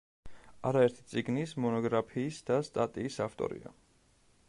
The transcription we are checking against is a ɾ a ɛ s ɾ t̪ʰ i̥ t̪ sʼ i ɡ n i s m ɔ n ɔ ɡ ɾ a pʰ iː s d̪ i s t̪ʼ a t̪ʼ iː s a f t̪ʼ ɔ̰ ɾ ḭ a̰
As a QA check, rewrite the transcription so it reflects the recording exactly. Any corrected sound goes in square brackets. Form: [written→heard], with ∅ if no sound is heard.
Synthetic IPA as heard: a ɾ a ɛ [s→∅] ɾ t̪ʰ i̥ t̪ sʼ i ɡ n i s m ɔ n ɔ ɡ ɾ a pʰ iː s d̪ [i→a] s t̪ʼ a t̪ʼ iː s a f t̪ʼ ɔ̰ ɾ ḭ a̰